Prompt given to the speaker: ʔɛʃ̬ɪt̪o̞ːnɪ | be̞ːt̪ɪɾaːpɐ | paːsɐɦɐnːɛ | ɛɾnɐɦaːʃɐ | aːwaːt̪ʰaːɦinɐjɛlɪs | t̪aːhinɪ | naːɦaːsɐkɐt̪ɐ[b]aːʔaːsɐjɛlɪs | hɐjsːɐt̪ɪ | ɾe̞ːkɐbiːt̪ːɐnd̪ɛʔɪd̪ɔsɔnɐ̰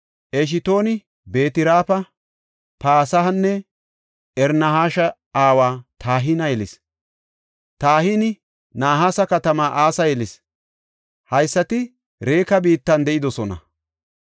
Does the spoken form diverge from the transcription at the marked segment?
yes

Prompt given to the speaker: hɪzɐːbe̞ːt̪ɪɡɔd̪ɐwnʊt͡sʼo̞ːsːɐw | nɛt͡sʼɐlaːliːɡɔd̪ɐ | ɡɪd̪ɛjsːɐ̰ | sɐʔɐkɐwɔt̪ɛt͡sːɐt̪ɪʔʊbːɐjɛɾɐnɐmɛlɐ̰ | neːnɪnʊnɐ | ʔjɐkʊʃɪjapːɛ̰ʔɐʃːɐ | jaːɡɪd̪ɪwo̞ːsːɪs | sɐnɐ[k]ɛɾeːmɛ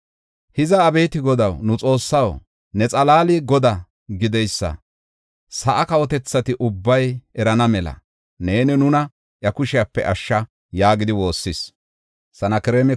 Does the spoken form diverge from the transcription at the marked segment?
no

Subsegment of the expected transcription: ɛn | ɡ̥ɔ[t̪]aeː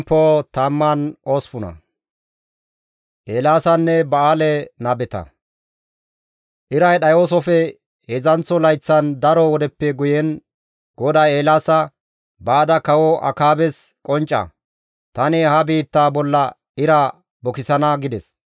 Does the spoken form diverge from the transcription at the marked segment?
yes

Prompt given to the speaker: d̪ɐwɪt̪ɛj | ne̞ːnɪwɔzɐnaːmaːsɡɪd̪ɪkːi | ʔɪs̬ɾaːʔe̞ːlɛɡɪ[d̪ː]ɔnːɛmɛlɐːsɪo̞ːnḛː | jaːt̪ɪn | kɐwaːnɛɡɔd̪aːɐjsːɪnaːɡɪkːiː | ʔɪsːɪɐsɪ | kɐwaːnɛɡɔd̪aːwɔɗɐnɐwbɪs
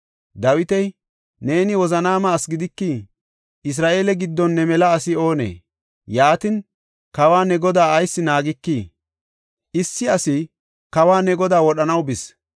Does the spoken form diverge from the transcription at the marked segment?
no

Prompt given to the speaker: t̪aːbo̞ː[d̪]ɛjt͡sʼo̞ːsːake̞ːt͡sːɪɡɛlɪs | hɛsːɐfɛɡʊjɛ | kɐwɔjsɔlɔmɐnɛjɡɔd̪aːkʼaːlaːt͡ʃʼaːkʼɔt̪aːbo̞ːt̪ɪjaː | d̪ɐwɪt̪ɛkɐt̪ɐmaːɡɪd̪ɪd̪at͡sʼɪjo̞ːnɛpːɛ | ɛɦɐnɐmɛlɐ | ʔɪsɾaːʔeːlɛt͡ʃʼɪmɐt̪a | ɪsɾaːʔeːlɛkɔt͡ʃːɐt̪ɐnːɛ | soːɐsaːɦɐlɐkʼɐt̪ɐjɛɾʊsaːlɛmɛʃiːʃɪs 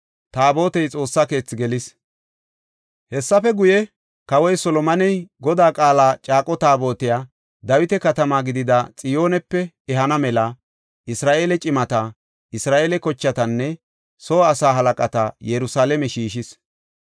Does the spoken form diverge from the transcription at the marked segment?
yes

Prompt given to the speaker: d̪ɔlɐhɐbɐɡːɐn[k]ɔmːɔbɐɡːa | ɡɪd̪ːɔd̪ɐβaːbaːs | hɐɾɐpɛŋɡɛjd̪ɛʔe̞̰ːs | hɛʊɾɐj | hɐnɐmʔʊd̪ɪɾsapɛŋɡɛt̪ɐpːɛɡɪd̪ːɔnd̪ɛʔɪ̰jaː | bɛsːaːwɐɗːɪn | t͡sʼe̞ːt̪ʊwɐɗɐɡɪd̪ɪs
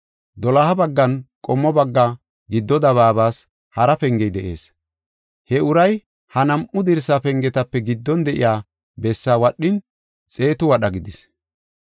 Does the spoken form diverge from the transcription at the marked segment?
yes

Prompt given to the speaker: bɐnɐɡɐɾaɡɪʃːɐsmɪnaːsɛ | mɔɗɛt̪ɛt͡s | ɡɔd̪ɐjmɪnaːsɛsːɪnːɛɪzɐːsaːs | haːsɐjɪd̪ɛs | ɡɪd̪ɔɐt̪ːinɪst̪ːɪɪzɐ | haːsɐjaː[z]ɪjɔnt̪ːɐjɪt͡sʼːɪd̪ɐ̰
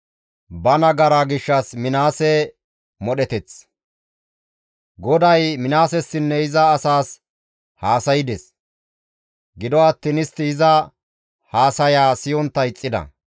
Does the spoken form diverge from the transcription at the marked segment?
yes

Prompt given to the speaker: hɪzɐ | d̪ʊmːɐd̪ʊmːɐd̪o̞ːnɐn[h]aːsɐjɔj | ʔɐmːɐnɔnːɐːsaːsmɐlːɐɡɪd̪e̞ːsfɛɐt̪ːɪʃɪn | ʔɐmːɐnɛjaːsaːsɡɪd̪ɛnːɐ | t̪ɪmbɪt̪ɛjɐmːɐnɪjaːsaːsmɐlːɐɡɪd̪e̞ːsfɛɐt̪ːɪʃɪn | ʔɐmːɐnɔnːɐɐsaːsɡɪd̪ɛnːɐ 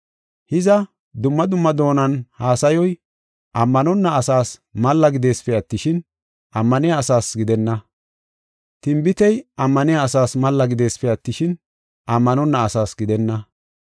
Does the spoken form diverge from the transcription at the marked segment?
no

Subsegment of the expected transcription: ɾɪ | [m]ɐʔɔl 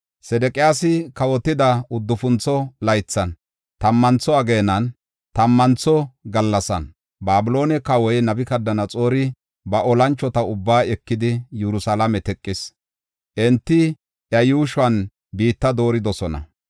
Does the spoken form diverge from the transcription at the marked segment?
yes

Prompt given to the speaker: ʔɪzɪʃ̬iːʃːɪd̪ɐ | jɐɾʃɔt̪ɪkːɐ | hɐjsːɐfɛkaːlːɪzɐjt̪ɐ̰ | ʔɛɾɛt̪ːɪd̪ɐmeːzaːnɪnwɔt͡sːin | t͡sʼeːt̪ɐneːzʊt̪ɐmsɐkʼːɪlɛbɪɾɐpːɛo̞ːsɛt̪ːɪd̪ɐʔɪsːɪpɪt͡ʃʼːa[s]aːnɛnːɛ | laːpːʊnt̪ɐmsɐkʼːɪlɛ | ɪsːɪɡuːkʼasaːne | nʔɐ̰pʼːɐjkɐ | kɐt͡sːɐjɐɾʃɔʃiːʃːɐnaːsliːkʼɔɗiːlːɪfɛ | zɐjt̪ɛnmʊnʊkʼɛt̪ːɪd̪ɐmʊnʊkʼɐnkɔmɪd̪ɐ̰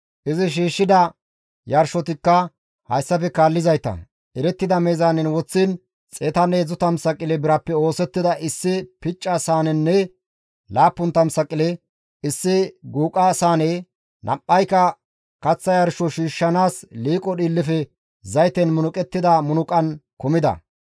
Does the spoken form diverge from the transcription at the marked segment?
no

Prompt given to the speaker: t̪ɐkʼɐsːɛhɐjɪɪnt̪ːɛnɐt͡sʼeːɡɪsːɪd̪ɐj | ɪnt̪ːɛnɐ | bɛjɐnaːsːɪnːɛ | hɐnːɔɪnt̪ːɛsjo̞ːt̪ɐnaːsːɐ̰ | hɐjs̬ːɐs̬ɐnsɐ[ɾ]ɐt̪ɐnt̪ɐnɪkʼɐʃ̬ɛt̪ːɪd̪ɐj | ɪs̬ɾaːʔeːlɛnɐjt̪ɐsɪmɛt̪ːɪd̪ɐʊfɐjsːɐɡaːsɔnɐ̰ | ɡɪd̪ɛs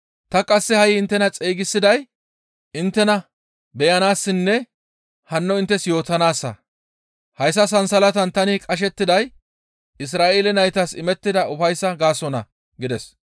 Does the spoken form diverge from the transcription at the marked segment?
yes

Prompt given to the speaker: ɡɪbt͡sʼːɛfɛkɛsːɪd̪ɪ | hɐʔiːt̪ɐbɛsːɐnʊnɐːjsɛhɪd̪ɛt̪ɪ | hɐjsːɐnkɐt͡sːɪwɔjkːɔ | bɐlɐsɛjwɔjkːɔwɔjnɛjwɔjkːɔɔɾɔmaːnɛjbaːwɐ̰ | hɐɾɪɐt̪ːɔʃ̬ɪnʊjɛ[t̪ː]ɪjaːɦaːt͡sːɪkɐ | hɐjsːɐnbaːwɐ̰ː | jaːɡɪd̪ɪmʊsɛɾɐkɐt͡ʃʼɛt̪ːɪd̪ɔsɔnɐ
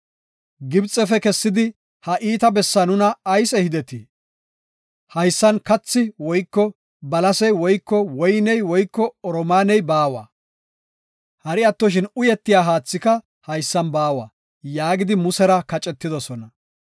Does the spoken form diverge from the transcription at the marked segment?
no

